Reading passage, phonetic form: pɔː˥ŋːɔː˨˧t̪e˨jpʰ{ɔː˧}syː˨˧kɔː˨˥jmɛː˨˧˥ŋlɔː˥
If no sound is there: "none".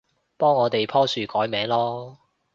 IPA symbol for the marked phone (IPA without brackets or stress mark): ɔː˥